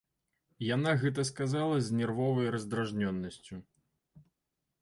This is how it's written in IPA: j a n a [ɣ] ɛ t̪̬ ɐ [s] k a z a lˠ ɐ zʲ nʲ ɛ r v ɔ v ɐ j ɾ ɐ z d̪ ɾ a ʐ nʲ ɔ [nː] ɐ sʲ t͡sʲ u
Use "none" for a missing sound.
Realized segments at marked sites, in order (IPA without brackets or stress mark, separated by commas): ɣ, s, nː